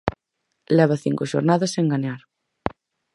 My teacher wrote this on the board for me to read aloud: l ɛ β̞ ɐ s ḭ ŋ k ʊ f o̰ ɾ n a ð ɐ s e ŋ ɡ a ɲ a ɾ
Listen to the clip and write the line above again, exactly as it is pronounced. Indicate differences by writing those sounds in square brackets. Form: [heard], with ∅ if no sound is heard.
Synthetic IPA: l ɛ β̞ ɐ [θ] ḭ ŋ k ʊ [ʃ] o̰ ɾ n a ð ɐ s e ŋ ɡ a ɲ a ɾ